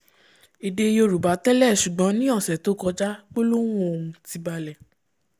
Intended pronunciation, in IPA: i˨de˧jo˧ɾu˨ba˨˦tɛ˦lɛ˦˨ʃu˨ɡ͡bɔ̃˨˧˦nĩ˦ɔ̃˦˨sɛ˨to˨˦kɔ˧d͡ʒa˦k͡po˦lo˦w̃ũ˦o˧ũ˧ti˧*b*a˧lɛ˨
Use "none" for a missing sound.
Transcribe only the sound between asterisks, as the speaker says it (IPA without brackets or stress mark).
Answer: b